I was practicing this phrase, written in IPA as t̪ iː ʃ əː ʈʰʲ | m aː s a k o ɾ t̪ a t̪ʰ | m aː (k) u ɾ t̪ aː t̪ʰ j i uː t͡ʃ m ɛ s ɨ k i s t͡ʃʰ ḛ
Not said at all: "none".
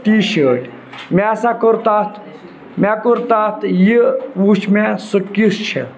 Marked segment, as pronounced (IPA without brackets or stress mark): k